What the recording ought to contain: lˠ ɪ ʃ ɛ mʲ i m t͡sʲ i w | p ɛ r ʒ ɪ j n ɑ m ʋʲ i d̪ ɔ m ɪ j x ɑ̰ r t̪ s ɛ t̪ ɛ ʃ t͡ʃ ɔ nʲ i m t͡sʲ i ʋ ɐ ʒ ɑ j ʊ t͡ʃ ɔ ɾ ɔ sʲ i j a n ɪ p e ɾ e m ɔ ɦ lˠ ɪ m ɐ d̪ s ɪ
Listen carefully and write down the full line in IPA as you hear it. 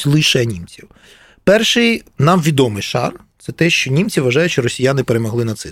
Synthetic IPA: lˠ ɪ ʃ ɛ nʲ i m t͡sʲ i w | p ɛ r ʃ ɪ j n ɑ m ʋʲ i d̪ ɔ m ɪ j ʃ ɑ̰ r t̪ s ɛ t̪ ɛ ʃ t͡ʃ ɔ nʲ i m t͡sʲ i ʋ ɐ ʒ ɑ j ʊ t͡ʃ ɔ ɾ ɔ sʲ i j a n ɪ p e ɾ e m ɔ ɦ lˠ ɪ n ɐ t̪ s ɪ